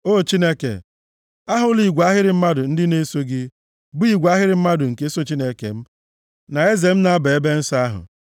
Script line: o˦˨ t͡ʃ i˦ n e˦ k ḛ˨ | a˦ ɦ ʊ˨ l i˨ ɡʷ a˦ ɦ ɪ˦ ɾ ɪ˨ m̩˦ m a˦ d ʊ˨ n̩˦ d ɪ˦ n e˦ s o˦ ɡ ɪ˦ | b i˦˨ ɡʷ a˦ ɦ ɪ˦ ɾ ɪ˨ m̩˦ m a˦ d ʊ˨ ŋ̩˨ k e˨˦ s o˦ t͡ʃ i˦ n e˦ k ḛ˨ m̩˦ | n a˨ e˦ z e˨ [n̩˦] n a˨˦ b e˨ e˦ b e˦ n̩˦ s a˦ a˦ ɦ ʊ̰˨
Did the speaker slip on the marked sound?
yes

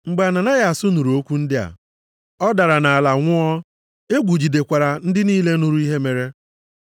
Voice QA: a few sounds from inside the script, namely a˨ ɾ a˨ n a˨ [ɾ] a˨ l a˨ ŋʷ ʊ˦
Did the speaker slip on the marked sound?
yes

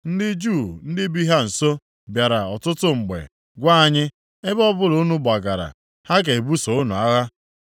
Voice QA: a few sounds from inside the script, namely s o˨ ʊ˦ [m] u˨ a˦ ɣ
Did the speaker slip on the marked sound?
yes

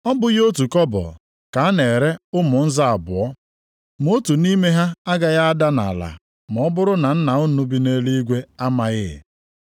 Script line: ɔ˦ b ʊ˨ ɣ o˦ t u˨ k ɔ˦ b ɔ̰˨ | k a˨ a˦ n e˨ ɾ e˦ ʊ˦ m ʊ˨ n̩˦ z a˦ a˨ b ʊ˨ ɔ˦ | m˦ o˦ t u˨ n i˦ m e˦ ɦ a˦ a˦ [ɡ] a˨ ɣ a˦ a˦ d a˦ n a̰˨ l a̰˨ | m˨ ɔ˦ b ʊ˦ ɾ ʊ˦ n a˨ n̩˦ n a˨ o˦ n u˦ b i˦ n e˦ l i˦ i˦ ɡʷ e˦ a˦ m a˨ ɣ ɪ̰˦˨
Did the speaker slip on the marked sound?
no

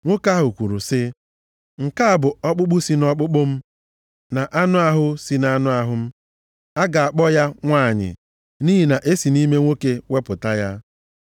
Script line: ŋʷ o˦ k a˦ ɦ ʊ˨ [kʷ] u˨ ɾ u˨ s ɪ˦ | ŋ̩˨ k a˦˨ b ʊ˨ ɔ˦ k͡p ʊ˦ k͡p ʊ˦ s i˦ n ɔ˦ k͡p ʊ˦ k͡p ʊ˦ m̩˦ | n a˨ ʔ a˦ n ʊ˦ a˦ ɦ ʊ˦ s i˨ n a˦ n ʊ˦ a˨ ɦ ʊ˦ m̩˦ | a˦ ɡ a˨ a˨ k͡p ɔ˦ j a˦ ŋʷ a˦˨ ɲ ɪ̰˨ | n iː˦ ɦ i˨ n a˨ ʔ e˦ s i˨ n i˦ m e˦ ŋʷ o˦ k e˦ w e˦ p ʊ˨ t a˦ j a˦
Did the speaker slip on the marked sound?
no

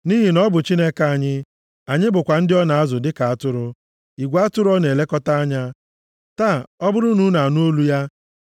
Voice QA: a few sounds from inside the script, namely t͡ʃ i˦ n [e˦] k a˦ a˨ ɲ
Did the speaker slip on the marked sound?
no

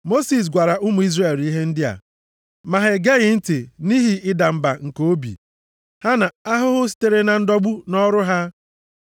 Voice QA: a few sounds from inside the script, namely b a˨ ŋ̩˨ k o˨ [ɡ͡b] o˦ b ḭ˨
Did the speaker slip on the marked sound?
yes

